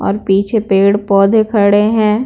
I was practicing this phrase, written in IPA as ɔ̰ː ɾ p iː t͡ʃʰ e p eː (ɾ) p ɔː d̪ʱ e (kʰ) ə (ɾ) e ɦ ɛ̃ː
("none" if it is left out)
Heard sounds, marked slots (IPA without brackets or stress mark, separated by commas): ɽ, kʰ, ɽ